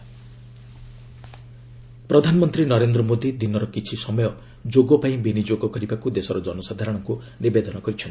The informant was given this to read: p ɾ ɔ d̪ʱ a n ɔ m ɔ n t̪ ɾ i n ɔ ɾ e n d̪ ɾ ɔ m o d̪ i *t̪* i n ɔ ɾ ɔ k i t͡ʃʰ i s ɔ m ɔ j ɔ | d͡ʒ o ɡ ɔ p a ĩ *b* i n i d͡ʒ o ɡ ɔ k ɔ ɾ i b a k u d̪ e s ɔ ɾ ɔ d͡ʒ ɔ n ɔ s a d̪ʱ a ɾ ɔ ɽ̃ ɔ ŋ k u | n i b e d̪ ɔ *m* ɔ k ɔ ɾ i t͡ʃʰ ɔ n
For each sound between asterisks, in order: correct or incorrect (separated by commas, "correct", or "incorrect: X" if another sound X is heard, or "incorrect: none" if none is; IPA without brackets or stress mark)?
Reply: incorrect: d̪, correct, incorrect: n